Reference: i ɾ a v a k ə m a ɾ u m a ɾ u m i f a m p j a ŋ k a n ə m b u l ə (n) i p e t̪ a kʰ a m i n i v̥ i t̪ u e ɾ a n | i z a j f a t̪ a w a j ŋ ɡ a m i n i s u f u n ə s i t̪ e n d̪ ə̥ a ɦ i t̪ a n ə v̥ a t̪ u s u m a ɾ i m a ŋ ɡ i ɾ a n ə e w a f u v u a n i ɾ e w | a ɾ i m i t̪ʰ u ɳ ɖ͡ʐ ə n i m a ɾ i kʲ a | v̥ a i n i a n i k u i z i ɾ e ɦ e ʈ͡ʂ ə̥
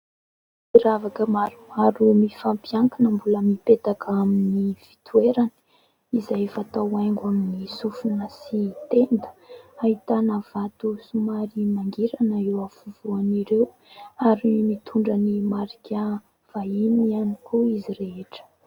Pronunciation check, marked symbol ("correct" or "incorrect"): incorrect